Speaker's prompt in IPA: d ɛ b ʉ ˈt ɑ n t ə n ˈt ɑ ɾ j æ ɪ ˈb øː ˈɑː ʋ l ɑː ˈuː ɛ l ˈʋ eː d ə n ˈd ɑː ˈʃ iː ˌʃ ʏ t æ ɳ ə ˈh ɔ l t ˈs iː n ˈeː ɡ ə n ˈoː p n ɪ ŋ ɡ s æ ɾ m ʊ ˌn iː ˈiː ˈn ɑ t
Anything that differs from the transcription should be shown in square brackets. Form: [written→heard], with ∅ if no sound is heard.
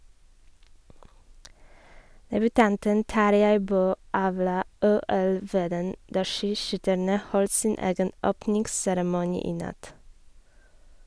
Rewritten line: d ɛ b ʉ ˈt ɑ n t ə n ˈt ɑ ɾ j æ ɪ ˈb øː ˈɑː ʋ l ɑː ˈuː ɛ l ˈʋ eː d ə n ˈd ɑː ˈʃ iː ˌʃ ʏ t æ ɳ ə ˈh ɔ l t ˈs iː n ˈeː ɡ ə n ˈoː p n ɪ ŋ ɡ s æ ɾ m ʊ ˌn iː ˈiː ˈn ɑ t